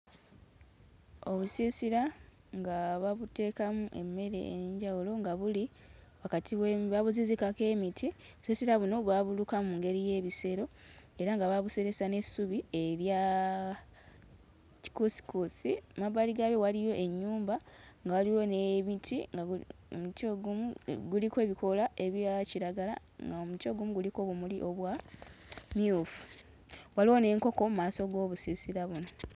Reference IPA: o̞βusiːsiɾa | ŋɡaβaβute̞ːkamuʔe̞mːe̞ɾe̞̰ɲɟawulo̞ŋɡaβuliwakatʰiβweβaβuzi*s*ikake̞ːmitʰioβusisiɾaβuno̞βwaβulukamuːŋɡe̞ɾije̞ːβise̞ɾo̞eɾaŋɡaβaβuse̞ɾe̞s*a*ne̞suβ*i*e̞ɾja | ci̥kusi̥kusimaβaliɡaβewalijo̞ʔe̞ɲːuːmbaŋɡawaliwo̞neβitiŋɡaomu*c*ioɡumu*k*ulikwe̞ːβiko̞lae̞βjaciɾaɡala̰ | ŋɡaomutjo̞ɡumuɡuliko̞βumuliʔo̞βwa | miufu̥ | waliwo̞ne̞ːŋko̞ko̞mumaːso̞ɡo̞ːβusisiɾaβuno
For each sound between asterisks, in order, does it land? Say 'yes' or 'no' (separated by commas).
no, yes, yes, no, no